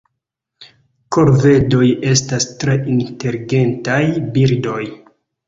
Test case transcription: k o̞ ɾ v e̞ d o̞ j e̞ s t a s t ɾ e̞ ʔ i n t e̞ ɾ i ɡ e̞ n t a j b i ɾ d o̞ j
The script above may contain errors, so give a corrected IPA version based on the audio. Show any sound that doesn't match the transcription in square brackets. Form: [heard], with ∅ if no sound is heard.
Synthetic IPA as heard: k o̞ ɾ v e̞ d o̞ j e̞ s t a s t ɾ e̞ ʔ i n t e̞ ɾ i ɡ e̞ n t a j b i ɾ d o̞ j

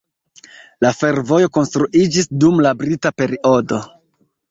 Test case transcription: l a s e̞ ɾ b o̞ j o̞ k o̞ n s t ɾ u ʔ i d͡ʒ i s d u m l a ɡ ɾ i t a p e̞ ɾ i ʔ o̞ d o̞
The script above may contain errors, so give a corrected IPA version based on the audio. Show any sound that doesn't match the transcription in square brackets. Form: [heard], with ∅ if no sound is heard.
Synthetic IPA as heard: l a [f] e̞ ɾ [v] o̞ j o̞ k o̞ n s t ɾ u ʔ i d͡ʒ i s d u m l a [b] ɾ i t a p e̞ ɾ i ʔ o̞ d o̞

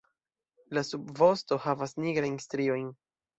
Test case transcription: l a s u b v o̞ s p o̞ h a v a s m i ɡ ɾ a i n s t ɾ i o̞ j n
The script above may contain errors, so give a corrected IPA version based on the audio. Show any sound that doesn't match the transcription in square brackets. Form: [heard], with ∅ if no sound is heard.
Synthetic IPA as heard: l a s u b v o̞ s [t] o̞ h a v a s [n] i ɡ ɾ a [j] n s t ɾ i o̞ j n

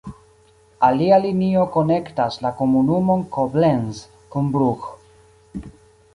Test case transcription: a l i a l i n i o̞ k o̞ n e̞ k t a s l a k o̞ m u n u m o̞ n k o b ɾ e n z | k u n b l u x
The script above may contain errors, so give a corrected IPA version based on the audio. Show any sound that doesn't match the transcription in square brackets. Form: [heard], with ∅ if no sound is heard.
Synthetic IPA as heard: a l i a l i n i o̞ k o̞ n e̞ k t a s l a k o̞ m u n u m o̞ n k o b [l] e n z | k u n b [ɾ] u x

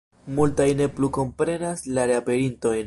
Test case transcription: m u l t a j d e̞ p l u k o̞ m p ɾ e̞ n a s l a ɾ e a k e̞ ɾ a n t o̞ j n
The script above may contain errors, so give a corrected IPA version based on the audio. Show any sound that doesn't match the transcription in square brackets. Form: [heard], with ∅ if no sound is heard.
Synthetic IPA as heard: m u l t a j [n] e̞ p l u k o̞ m p ɾ e̞ n a s l a ɾ e a [p] e̞ ɾ [i] n t o̞ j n

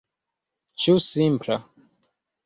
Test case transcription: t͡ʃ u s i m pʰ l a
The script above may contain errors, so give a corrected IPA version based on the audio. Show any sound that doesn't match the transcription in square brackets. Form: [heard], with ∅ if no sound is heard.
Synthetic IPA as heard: t͡ʃ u s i m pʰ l a

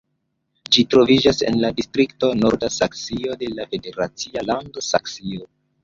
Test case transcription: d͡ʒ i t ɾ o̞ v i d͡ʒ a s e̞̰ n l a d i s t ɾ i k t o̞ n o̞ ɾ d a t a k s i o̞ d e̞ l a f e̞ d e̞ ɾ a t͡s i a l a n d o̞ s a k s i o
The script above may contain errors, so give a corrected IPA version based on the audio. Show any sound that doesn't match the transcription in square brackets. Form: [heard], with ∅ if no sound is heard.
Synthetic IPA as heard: d͡ʒ i t ɾ o̞ v i d͡ʒ a s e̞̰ n l a d i s t ɾ i k t o̞ n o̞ ɾ d a [s] a k s i o̞ d e̞ l a f e̞ d e̞ ɾ a t͡s i a l a n d o̞ s a k s i o

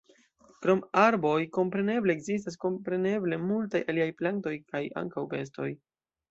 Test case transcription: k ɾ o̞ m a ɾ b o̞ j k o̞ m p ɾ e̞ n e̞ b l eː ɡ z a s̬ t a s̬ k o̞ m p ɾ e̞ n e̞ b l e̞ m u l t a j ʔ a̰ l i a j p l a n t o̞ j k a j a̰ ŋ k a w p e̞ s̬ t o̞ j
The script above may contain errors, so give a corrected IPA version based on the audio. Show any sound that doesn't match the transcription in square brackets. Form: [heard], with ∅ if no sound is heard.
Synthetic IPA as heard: k ɾ o̞ m a ɾ b o̞ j k o̞ m p ɾ e̞ n e̞ b l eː ɡ z [i] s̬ t a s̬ k o̞ m p ɾ e̞ n e̞ b l e̞ m u l t a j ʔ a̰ l i a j p l a n t o̞ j k a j a̰ ŋ k a w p e̞ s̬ t o̞ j

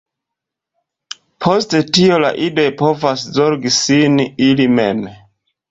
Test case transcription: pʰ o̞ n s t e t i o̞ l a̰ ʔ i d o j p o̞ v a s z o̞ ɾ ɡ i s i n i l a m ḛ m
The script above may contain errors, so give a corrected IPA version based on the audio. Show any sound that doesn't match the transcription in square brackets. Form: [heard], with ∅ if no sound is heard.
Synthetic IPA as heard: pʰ o̞ [∅] s t e t i o̞ l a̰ ʔ i d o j p o̞ v a s z o̞ ɾ ɡ i s i n i l [i] m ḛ m

